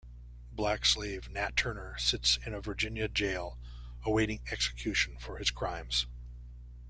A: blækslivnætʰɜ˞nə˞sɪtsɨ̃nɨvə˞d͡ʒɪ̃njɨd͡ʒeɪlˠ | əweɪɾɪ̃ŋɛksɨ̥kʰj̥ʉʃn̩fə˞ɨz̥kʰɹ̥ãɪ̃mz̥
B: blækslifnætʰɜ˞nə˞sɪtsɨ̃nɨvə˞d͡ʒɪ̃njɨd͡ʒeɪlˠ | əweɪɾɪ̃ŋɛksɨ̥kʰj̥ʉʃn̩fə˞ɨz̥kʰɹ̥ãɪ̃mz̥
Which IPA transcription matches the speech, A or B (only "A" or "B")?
A